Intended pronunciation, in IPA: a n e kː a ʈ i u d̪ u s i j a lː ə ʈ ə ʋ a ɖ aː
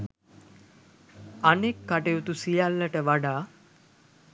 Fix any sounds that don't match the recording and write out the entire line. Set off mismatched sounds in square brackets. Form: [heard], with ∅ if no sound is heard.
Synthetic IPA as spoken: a n e kː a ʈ [e] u [t̪] u s i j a lː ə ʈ ə ʋ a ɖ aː